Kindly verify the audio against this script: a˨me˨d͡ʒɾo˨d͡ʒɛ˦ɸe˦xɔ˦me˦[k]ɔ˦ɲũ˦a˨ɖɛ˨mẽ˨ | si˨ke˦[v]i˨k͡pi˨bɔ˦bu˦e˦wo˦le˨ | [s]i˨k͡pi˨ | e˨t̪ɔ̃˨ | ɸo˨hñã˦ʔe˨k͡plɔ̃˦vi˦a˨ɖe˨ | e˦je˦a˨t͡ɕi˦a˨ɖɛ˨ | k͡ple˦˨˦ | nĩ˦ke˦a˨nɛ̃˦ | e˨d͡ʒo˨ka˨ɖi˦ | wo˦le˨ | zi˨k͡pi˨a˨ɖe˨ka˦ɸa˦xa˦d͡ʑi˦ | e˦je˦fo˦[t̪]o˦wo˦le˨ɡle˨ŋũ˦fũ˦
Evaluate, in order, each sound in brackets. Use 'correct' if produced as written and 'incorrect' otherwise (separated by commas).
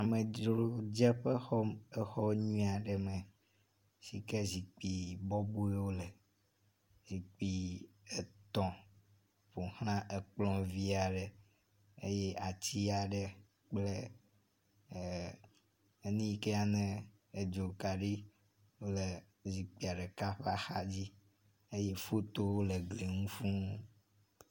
incorrect, incorrect, incorrect, correct